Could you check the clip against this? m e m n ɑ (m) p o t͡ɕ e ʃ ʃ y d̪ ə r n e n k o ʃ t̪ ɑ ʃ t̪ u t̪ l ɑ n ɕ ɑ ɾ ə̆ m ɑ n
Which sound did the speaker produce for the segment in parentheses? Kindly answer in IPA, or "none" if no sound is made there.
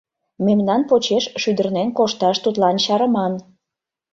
n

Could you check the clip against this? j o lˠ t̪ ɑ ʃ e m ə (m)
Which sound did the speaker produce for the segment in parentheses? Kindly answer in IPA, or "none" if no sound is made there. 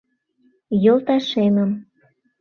m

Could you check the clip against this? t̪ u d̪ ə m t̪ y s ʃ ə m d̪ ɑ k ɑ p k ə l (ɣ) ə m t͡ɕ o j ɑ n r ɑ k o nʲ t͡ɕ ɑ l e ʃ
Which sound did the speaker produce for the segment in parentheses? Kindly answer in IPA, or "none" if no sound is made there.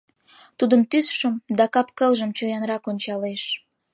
ʒ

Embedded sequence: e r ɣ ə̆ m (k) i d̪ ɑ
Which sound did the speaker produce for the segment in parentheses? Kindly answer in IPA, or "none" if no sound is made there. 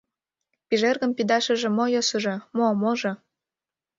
p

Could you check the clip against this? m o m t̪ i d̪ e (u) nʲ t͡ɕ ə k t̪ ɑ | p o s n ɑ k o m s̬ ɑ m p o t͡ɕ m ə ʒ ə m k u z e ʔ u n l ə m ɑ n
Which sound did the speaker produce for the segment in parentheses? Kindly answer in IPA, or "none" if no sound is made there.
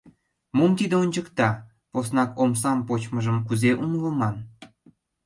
o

